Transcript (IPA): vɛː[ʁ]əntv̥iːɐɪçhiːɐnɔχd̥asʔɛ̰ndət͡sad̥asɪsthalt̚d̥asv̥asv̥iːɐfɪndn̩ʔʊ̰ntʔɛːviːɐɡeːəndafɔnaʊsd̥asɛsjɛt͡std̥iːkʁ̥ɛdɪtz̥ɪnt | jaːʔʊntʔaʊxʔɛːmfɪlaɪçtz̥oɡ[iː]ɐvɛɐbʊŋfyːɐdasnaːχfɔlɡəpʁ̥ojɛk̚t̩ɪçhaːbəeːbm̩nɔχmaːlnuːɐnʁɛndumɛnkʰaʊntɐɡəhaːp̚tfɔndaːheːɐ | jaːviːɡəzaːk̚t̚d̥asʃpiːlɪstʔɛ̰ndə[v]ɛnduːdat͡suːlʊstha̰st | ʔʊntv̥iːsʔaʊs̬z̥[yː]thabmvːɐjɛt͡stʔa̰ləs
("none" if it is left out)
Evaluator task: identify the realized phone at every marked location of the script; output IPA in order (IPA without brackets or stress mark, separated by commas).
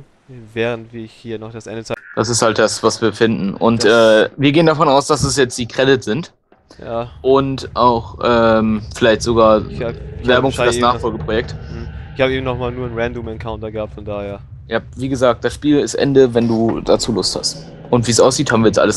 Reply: ʁ, aː, v, iː